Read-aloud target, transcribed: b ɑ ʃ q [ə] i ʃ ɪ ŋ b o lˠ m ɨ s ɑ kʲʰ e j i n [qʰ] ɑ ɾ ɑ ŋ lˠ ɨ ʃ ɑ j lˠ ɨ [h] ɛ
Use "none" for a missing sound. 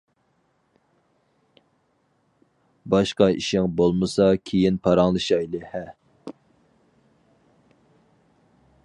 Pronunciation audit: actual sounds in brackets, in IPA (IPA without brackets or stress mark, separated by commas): ɑ, pʰ, h